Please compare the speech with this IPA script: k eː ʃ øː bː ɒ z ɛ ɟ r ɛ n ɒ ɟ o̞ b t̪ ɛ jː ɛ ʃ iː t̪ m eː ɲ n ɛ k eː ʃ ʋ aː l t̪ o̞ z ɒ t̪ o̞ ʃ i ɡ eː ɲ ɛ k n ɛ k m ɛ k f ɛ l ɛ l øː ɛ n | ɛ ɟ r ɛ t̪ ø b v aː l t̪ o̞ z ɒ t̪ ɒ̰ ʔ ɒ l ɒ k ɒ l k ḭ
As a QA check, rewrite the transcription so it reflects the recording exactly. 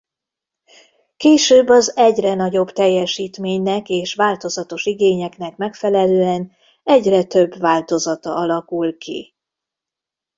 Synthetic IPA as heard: k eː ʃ øː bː ɒ z ɛ ɟ r ɛ n ɒ ɟ o̞ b t̪ ɛ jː ɛ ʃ iː t̪ m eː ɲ n ɛ k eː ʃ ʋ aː l t̪ o̞ z ɒ t̪ o̞ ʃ i ɡ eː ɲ ɛ k n ɛ k m ɛ k f ɛ l ɛ l øː ɛ n | ɛ ɟ r ɛ t̪ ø b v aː l t̪ o̞ z ɒ t̪ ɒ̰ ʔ ɒ l ɒ k u l k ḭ